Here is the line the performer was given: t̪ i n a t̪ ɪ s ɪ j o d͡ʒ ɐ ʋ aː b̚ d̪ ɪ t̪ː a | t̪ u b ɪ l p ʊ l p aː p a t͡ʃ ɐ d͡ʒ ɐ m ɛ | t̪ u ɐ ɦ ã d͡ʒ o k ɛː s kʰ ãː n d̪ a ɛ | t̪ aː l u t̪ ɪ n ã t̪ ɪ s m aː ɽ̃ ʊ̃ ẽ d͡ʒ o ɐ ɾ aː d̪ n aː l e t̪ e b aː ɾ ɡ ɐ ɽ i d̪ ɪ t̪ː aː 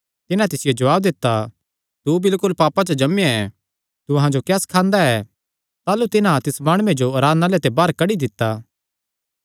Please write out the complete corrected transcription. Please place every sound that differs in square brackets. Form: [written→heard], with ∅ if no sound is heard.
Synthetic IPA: t̪ [i→ɪ] n a t̪ ɪ s ɪ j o d͡ʒ ɐ ʋ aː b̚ d̪ ɪ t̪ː a | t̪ u b ɪ l [p→k] ʊ l p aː p a t͡ʃ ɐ d͡ʒ ɐ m ɛ | t̪ u ɐ ɦ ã d͡ʒ o k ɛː s kʰ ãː n d̪ a ɛ | t̪ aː l u t̪ ɪ n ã t̪ ɪ s m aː ɽ̃ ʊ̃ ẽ d͡ʒ o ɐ ɾ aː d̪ n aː l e t̪ e b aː ɾ [ɡ→k] ɐ ɽ i d̪ ɪ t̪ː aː